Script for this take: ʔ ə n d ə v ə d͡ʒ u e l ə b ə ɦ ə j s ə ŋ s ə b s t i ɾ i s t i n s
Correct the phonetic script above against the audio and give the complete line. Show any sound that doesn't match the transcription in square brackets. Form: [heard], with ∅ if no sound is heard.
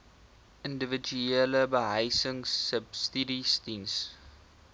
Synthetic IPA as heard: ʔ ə n d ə v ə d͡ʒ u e l ə b ə ɦ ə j s ə ŋ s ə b s t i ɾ i s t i n s